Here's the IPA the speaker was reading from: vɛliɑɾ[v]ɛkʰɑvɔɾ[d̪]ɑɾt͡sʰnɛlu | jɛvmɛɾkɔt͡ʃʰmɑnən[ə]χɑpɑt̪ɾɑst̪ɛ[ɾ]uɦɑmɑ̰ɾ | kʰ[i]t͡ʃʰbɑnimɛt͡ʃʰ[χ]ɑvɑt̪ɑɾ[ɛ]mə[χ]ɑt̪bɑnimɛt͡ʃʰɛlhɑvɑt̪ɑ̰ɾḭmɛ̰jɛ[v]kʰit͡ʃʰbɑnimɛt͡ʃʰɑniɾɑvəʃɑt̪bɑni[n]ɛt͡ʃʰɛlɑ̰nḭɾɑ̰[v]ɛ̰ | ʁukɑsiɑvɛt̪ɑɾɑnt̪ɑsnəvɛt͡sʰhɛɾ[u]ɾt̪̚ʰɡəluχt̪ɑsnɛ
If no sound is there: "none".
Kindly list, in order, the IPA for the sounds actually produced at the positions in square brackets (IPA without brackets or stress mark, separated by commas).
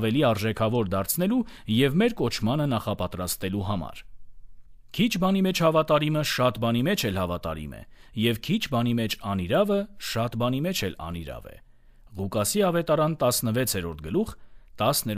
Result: ʒ, d̪, ɑ, l, i, h, i, ʃ, v, m, v, ɔ